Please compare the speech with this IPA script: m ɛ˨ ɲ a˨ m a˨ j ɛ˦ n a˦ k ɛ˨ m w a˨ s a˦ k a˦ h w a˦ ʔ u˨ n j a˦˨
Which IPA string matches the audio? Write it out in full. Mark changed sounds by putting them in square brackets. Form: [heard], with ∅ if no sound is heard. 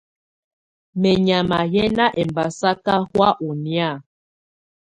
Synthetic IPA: m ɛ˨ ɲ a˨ m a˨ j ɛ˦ n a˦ [ʔ] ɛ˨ m [b] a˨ s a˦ k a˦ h w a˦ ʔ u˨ n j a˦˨